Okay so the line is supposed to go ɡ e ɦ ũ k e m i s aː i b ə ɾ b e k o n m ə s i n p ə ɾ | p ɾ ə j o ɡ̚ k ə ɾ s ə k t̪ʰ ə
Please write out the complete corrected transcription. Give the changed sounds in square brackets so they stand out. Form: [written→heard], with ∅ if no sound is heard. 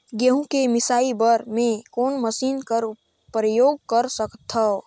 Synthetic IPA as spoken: ɡ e ɦ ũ k e m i s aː i b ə ɾ [b→m] e k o n m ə s i n [p→k] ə ɾ | p ɾ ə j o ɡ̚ k ə ɾ s ə k t̪ʰ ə

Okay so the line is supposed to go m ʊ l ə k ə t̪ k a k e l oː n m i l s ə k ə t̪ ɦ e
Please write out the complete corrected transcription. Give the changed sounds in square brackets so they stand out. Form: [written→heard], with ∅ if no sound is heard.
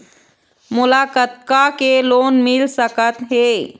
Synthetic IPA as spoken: m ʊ l [ə→a] k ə t̪ k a k e l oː n m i l s ə k ə t̪ ɦ e

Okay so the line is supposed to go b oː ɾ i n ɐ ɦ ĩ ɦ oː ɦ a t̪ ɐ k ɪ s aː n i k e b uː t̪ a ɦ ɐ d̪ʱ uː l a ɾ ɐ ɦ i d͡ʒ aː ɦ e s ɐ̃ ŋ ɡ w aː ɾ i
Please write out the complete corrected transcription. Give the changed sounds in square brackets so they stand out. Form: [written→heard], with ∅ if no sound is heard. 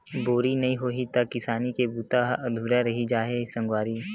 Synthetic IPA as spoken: b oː ɾ i n ɐ ɦ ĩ ɦ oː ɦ [a→i] t̪ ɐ k ɪ s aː n i k e b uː t̪ a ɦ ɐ d̪ʱ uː [l→ɾ] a ɾ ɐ ɦ i d͡ʒ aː ɦ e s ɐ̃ ŋ ɡ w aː ɾ i

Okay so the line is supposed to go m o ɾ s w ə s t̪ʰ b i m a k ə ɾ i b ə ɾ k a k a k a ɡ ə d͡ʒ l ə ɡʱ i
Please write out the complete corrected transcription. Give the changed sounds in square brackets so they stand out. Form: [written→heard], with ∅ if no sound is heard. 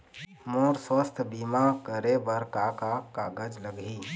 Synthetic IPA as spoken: m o ɾ s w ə s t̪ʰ b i m a k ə ɾ [i→e] b ə ɾ k a k a k a ɡ ə d͡ʒ l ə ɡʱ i

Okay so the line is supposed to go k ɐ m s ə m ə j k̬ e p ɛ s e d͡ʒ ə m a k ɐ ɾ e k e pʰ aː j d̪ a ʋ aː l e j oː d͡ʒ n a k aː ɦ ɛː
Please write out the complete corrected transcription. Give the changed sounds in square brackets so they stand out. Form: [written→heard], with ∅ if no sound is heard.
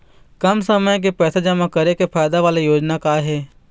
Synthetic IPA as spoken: k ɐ m s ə m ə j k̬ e p [ɛ→ɛː] s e d͡ʒ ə m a k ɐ ɾ e k e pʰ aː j d̪ a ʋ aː l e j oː d͡ʒ n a k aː ɦ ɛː

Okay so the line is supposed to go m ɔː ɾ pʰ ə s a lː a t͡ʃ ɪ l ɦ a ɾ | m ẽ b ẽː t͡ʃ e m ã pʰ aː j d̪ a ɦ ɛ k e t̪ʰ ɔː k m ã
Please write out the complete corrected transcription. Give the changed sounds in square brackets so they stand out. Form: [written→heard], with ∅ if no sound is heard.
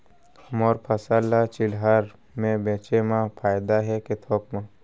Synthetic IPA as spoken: m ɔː ɾ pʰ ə s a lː a t͡ʃ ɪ l ɦ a ɾ | m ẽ b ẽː t͡ʃ e m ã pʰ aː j d̪ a ɦ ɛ k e t̪ʰ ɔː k m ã

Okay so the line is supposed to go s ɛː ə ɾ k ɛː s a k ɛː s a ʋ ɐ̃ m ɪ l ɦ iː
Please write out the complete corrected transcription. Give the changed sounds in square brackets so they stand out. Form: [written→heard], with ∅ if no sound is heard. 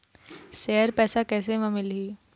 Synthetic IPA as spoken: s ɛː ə ɾ [k→p] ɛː s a k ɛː s [a→e] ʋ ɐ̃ m ɪ l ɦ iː

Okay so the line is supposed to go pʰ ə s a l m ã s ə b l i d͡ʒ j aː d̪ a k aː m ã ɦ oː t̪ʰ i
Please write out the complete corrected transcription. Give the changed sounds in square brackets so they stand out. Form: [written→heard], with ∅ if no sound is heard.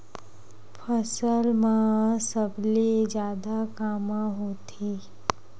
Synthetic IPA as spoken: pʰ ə s [a→ə] l m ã s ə b l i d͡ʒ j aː d̪ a k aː m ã ɦ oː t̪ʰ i

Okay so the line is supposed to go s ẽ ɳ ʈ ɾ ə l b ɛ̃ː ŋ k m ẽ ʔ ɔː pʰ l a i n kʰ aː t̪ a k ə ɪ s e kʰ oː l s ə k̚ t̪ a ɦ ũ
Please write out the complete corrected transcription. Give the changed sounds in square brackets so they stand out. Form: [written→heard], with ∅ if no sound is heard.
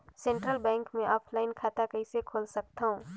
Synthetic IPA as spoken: s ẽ ɳ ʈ ɾ ə l b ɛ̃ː ŋ k m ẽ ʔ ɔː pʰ l a [i→ɪ] n kʰ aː t̪ a k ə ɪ s e kʰ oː l s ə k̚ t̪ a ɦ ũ

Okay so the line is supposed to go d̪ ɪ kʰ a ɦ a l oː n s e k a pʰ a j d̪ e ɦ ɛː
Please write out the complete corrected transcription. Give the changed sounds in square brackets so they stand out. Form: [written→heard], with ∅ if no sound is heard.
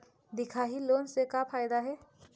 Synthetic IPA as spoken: d̪ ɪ kʰ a ɦ [a→i] l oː n s e k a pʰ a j d̪ [e→a] ɦ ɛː

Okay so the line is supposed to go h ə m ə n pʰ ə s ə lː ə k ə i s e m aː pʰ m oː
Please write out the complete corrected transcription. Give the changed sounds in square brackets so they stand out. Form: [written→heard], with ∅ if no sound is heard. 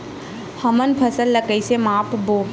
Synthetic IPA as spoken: h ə m ə n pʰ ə s ə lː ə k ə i s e m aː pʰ [m→b] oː

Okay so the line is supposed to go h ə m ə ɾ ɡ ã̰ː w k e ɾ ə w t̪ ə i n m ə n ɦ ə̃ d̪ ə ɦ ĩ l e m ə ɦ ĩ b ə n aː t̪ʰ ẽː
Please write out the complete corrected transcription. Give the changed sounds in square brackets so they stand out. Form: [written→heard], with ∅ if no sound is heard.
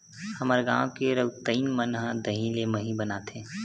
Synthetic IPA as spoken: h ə m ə ɾ ɡ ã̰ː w k e ɾ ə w t̪ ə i n m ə n ɦ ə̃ d̪ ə ɦ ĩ l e m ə ɦ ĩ b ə n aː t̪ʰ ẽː

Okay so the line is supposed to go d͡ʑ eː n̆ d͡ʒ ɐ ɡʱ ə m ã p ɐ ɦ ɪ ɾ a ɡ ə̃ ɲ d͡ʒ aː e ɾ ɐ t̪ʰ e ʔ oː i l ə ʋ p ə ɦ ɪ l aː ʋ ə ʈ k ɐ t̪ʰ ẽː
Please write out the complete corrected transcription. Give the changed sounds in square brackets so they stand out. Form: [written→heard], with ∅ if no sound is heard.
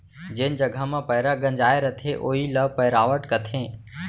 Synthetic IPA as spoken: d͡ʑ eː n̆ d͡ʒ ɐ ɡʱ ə m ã p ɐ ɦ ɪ ɾ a ɡ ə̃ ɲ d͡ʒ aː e ɾ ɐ t̪ʰ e ʔ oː i l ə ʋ p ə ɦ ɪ [l→ɾ] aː ʋ ə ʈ k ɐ t̪ʰ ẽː

